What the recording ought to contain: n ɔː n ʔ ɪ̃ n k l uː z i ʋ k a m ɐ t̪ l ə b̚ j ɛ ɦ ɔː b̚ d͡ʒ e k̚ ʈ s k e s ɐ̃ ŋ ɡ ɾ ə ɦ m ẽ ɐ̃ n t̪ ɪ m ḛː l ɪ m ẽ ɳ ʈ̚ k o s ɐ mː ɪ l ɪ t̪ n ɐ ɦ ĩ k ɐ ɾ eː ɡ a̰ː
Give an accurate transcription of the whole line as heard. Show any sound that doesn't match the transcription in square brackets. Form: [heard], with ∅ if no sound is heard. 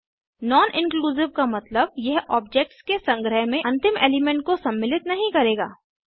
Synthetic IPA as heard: n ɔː n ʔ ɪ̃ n k l uː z [ɪ] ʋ k a m ɐ t̪ l ə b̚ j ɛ ɦ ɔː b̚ d͡ʒ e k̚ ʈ s k e s ɐ̃ ŋ ɡ ɾ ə ɦ m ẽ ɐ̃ n t̪ ɪ m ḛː l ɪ m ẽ ɳ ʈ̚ k o s ɐ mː ɪ l ɪ t̪ n ɐ ɦ ĩ k ɐ ɾ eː ɡ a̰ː